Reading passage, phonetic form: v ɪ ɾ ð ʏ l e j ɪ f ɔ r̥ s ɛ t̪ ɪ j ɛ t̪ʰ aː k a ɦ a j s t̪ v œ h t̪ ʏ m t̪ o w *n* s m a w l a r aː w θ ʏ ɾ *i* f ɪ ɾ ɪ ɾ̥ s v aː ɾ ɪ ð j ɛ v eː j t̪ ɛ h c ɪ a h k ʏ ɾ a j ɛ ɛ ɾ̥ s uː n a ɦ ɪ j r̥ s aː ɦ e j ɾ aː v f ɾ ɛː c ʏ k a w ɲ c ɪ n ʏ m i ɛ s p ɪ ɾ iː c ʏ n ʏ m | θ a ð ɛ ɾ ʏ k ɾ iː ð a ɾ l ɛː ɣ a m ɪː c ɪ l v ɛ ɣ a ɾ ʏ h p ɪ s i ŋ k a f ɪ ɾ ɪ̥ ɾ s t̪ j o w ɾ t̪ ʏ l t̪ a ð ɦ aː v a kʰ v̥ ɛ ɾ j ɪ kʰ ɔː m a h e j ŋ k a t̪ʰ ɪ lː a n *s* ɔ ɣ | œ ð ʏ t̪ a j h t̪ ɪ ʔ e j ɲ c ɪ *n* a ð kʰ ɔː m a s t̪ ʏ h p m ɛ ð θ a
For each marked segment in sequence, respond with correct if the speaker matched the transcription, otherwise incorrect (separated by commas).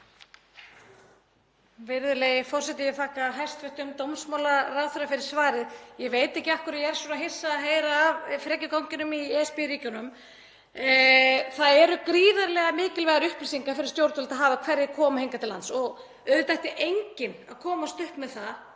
incorrect, incorrect, correct, correct